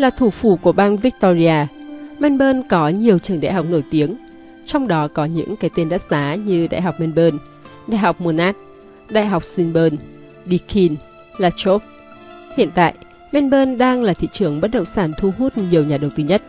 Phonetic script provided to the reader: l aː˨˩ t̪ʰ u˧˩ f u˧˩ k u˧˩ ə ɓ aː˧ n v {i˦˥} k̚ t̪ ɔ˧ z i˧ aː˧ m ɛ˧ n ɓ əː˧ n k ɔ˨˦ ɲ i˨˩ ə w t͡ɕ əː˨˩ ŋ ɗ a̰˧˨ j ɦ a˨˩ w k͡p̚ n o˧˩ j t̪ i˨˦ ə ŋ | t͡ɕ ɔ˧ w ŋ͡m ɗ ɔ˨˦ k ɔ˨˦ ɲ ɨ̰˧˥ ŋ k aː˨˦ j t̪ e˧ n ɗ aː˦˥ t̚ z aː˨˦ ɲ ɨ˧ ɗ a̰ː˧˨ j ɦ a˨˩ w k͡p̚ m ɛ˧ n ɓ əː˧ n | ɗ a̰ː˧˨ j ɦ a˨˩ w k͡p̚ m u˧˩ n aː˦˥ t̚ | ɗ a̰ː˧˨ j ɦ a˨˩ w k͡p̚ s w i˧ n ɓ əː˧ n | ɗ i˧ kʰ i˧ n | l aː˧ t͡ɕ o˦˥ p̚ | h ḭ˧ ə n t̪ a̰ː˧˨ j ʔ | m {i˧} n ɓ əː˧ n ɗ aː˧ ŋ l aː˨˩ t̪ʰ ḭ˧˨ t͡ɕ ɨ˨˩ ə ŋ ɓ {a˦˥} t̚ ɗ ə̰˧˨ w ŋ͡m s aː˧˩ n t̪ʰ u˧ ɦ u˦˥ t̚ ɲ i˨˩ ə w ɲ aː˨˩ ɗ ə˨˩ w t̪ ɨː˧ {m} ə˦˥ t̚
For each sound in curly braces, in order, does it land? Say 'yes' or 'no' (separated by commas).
yes, no, no, no